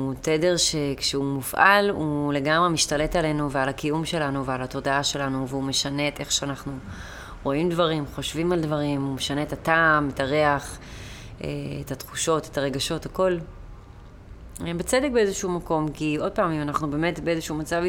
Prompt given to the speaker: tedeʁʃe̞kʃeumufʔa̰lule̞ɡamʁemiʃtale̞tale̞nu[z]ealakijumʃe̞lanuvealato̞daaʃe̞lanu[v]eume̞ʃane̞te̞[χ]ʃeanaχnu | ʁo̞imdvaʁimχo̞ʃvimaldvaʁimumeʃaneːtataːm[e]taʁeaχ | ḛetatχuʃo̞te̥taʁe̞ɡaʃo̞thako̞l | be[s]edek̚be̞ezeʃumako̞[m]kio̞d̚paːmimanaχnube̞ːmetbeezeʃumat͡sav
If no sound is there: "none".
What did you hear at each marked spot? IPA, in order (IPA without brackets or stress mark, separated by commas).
v, v, χ, e, t͡s, m